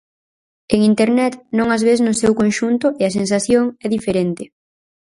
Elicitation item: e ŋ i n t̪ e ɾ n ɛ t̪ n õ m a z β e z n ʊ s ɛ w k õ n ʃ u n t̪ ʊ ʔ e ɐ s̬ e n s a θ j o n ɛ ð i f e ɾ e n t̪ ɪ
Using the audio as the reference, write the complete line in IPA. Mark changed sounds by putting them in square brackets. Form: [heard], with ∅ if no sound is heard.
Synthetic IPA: e ŋ i n t̪ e ɾ n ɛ t̪ n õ [ŋ] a z β e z n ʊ s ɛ w k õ n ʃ u n t̪ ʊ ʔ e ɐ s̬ e n s a θ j o [ŋ] ɛ ð i f e ɾ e n t̪ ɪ